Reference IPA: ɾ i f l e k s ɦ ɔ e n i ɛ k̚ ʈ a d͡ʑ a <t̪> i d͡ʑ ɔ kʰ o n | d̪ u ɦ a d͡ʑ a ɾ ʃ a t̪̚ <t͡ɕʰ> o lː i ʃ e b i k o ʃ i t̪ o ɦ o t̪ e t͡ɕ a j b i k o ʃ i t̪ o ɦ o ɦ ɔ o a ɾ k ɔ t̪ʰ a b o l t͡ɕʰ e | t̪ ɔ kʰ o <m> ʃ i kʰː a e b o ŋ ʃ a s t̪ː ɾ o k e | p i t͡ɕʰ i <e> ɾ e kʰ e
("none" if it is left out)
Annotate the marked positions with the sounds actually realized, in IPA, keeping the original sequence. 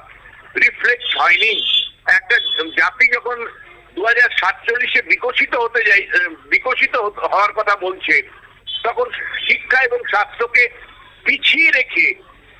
t̪, t͡ɕ, n, e

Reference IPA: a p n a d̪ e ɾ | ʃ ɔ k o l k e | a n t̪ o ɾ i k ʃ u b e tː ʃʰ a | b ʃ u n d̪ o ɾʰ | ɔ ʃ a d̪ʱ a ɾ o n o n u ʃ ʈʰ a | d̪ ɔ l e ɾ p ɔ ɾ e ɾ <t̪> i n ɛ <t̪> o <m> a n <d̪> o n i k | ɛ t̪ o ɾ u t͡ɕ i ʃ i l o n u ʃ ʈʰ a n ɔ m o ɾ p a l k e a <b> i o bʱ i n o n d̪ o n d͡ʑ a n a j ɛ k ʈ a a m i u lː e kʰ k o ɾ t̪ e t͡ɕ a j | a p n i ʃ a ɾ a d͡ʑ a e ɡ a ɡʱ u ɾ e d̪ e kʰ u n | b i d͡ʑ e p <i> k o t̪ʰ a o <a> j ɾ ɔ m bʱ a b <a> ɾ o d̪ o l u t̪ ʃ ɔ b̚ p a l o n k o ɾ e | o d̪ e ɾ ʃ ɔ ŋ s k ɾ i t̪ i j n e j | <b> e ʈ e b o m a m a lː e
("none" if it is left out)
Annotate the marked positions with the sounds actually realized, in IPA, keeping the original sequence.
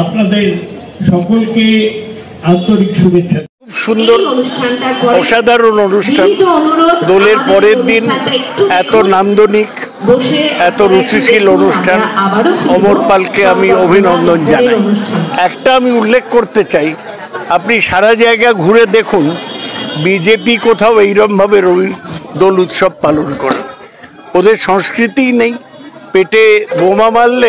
d̪, t̪, n, d̪, m, i, e, e, p

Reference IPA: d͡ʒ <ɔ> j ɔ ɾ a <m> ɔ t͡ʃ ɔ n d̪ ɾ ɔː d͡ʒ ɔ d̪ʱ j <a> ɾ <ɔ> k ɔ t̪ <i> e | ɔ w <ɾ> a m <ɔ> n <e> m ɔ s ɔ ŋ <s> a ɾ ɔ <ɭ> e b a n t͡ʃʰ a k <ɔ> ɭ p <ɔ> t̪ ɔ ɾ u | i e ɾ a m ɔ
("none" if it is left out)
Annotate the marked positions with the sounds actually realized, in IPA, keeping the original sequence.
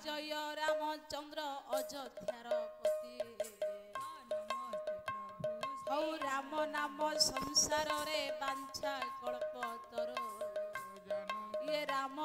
ɔ, m, a, ɔ, i, ɾ, ɔ, a, s, ɾ, ɔ, ɔ

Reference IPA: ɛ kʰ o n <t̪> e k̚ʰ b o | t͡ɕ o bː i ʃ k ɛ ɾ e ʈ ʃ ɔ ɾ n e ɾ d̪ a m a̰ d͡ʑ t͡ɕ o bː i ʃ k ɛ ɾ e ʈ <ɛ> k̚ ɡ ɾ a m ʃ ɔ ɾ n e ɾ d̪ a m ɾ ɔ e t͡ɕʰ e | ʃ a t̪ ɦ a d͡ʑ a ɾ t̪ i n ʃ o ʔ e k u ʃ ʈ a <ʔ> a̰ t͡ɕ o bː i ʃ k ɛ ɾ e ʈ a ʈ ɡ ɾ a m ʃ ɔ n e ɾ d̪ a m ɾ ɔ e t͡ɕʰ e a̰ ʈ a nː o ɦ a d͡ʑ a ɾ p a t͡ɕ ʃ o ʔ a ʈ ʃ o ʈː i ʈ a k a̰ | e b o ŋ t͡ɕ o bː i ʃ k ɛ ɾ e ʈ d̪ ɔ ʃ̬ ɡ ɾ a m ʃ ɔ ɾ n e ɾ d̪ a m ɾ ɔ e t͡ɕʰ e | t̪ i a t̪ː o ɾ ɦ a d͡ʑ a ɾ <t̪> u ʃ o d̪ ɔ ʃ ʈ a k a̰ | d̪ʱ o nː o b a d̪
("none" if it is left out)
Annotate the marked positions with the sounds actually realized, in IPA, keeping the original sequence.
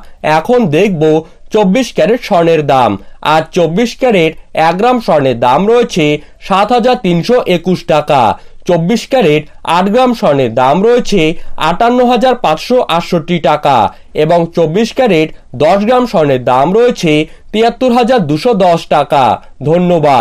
d̪, ɛ, k, d̪

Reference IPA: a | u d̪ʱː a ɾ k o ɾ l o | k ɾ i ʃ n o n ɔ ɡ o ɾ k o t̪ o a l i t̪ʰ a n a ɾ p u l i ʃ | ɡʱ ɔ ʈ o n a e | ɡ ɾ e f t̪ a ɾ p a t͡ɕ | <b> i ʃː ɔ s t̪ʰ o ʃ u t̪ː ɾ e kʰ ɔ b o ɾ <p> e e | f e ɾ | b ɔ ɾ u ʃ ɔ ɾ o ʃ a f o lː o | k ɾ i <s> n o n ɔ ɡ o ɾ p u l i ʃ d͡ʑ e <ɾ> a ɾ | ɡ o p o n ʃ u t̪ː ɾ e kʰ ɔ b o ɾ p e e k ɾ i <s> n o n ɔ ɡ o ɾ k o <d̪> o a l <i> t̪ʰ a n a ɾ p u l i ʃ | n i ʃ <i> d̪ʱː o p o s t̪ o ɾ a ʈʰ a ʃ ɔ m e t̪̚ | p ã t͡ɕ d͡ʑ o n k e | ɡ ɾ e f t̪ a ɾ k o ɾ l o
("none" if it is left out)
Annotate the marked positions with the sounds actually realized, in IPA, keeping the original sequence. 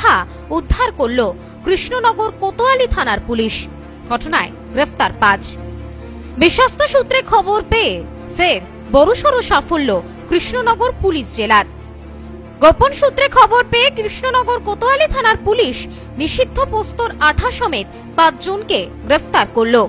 b, p, ʃ, l, ʃ, t̪, i, i

